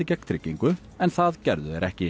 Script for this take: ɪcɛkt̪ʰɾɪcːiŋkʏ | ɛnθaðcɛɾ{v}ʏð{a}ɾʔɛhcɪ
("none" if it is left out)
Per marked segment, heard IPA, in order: ð, ɛ

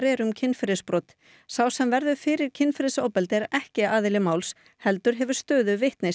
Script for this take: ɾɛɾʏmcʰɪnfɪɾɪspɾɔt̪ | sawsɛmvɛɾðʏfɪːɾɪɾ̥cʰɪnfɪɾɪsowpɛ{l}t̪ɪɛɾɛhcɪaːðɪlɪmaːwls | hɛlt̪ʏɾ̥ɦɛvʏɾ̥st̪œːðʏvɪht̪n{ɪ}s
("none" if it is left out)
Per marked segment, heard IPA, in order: l, ɪ

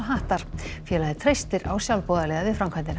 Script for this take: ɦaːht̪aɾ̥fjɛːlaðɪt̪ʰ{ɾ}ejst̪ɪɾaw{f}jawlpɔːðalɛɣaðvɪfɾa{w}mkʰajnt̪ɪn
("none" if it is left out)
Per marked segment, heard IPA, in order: ɾ, s, none

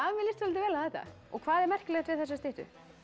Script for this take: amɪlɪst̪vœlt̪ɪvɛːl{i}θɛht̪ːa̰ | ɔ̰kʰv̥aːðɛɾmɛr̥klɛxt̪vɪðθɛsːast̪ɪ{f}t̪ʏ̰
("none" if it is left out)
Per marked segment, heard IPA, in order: a, h

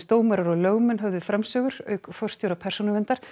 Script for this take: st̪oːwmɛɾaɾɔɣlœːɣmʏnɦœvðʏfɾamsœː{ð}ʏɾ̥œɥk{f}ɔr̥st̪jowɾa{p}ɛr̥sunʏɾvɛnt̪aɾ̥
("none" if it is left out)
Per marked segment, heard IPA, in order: ɣ, f, pʰ

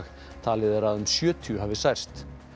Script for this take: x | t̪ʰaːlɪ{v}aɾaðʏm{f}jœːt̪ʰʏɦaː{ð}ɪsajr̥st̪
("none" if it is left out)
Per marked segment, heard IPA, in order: ð, s, v

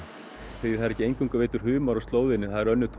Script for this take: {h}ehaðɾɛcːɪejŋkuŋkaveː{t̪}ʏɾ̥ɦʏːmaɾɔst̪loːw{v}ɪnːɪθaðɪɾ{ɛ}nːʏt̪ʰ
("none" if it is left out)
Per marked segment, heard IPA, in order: θ, t̪, ð, œ

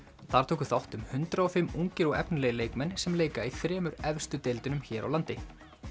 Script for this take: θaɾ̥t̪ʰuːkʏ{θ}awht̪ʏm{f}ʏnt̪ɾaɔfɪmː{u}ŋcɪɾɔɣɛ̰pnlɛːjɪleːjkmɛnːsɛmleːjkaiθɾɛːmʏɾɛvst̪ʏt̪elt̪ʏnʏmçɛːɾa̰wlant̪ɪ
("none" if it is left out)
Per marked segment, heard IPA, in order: θ, h, u

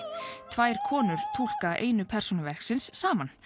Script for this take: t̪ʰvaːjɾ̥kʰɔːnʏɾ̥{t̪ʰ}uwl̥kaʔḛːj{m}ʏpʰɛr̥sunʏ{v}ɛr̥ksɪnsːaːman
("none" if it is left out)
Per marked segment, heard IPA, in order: t̪ʰ, n, v

